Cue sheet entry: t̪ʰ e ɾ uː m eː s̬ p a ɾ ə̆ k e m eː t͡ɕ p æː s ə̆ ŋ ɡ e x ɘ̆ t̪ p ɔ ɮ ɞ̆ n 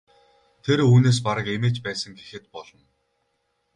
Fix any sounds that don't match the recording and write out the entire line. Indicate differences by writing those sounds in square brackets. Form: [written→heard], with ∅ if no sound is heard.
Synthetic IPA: t̪ʰ e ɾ uː [m→n] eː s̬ p a ɾ ə̆ k e m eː t͡ɕ p æː s ə̆ ŋ ɡ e x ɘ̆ t̪ p ɔ ɮ ɞ̆ n